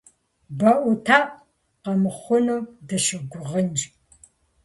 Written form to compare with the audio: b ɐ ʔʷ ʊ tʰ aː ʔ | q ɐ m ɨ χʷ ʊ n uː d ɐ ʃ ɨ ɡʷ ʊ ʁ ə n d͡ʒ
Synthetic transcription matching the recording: b ɐ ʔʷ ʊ tʰ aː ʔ | q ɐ m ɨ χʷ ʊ n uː d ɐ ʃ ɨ ɡʷ ʊ ʁ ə n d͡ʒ